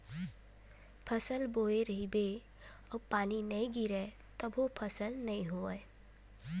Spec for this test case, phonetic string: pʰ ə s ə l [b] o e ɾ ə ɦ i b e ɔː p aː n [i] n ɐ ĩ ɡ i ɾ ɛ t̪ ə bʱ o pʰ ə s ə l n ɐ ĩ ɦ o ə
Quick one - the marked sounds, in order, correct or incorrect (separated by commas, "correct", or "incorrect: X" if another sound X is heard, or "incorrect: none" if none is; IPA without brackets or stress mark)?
correct, correct